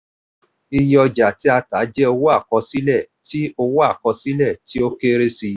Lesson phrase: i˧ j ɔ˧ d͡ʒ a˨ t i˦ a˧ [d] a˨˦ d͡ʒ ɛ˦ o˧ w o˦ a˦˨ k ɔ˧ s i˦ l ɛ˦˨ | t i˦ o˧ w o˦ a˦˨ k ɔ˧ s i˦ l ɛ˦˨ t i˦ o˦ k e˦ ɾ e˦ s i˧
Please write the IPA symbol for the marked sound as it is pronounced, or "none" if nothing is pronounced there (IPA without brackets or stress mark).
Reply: t